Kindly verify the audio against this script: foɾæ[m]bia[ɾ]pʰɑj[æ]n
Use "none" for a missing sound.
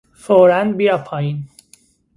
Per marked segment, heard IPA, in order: n, none, i

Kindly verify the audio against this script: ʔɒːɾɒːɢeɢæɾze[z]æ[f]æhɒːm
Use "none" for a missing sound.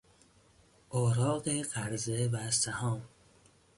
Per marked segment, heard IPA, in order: v, s

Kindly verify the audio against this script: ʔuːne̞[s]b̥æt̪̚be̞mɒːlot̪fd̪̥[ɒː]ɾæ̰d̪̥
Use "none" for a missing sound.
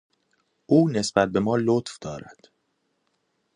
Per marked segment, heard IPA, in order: s, ɒː

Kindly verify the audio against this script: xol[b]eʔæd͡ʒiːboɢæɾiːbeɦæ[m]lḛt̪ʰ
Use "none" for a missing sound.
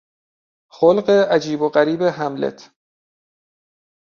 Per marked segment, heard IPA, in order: ɢ, m

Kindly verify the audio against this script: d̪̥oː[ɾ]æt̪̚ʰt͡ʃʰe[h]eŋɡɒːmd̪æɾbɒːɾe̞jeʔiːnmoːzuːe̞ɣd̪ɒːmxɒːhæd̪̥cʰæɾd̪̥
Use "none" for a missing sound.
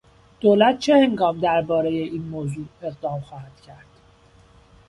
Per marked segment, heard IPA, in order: l, h

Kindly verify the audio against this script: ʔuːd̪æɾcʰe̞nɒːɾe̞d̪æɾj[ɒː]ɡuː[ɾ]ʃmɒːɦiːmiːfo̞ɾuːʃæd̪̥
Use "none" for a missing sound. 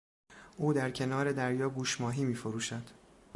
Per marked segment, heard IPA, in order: ɒː, none

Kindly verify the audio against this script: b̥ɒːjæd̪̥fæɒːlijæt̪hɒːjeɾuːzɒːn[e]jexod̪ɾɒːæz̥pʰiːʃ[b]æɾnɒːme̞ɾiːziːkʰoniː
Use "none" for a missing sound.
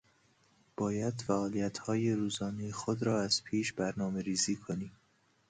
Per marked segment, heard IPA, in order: e, b

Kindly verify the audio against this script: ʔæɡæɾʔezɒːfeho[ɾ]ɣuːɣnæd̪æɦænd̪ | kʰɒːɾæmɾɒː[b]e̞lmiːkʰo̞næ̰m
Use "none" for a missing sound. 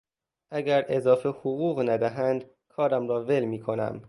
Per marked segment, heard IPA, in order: none, v

